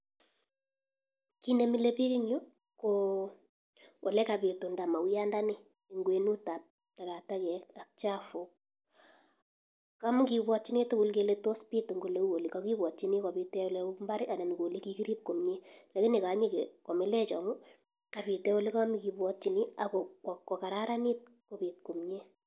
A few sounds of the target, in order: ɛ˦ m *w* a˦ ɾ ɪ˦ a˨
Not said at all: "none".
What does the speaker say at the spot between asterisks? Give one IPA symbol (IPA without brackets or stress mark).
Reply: b